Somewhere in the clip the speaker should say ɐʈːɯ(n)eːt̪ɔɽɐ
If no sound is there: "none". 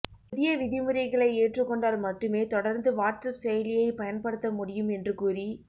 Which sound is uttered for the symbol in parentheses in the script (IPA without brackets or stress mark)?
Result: m